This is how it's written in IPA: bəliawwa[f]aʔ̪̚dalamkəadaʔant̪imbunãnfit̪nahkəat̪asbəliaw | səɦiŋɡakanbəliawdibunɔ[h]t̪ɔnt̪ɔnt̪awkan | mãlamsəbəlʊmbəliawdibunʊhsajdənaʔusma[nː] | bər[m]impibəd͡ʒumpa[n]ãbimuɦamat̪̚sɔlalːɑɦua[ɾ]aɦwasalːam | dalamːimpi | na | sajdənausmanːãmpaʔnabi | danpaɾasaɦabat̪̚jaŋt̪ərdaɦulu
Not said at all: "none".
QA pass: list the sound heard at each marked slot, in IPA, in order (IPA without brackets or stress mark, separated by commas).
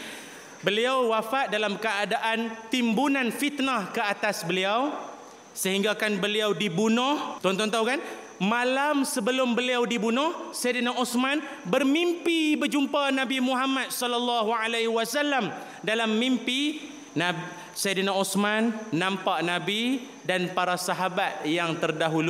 f, h, n, m, n, l